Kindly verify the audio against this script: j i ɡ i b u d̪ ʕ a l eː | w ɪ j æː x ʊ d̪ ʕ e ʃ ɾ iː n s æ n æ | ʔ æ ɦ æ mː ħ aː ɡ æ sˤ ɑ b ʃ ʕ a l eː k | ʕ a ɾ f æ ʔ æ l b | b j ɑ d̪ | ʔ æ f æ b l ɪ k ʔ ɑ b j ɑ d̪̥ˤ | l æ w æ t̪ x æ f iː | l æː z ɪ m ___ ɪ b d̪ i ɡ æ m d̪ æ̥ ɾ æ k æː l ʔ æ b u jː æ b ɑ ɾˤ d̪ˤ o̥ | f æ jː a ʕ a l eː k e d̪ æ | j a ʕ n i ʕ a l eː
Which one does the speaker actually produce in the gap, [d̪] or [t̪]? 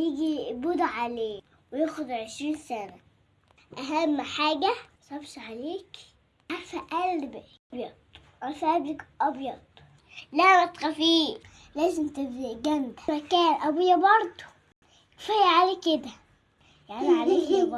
t̪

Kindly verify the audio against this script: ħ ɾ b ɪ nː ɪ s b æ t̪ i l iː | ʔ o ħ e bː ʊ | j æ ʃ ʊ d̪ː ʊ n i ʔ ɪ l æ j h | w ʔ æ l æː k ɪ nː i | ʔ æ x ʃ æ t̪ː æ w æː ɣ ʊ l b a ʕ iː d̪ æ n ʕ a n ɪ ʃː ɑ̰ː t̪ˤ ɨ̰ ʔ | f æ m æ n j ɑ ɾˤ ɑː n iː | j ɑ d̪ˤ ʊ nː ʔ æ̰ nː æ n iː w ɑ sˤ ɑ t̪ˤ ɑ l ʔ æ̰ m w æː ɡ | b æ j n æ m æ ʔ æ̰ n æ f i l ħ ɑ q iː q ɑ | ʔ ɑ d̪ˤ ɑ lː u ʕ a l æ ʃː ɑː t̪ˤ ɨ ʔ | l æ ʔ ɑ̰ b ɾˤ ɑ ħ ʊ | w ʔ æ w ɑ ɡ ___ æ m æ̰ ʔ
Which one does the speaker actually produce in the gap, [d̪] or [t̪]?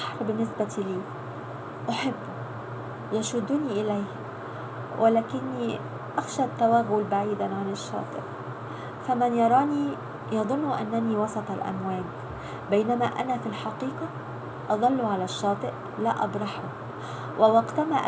t̪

